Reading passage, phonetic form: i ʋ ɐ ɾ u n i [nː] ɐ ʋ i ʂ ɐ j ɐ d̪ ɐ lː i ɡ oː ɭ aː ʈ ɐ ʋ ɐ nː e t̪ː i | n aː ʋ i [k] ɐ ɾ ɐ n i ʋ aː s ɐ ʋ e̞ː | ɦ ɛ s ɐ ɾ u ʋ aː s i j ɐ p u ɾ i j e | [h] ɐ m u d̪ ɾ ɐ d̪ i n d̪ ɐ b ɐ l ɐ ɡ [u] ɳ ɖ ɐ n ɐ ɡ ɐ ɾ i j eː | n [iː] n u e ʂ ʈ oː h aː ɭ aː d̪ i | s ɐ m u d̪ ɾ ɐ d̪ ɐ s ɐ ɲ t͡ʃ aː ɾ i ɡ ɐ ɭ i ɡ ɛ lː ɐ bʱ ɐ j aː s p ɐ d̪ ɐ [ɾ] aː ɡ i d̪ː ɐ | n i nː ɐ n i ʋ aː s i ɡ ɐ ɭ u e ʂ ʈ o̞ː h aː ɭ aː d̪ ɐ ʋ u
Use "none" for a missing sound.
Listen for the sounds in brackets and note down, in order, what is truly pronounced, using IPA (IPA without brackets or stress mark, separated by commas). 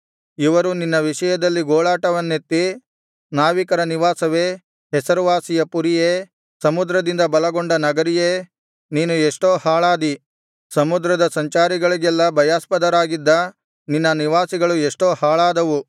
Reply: nː, k, s, o, iː, ɾ